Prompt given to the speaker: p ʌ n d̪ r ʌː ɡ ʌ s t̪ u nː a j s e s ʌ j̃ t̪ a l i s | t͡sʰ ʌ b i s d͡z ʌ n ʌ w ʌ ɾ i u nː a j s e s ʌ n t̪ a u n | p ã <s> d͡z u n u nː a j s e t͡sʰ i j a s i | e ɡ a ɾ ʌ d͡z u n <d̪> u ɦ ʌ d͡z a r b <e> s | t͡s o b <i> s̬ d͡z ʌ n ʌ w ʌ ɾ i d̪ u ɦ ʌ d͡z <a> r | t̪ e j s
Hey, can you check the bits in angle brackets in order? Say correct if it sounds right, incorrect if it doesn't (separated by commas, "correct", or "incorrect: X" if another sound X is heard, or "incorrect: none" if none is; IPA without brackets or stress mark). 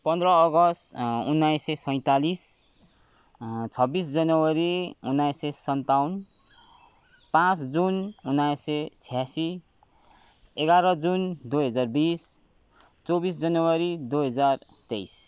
incorrect: t͡s, correct, incorrect: i, correct, correct